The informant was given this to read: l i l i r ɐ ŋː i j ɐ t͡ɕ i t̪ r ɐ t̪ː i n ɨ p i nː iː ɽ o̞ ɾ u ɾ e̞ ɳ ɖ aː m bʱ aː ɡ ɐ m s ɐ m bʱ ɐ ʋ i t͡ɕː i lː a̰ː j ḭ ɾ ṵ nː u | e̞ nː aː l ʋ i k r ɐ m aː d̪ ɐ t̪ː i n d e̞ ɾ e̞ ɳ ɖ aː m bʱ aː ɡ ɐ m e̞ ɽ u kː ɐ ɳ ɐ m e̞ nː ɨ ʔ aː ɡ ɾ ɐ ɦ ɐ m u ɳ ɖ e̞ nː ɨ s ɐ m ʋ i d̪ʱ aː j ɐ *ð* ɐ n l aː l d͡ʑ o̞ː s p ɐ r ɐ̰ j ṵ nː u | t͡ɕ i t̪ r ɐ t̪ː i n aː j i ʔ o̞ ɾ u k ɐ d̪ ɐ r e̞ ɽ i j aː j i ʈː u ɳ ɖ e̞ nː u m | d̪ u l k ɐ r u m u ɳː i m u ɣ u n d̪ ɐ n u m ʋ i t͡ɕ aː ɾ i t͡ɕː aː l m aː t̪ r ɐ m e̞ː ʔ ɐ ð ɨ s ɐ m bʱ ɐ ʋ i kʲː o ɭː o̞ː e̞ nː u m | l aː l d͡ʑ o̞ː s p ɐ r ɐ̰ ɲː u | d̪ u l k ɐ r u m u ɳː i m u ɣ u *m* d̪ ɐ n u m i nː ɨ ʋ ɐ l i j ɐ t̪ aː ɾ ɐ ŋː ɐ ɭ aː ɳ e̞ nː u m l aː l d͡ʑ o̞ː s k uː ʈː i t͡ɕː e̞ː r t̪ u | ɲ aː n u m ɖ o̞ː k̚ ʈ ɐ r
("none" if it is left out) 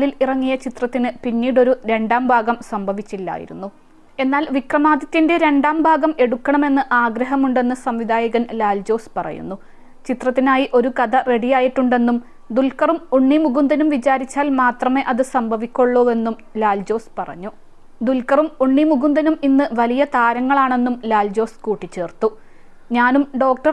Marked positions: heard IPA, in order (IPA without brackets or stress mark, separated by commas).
ɣ, n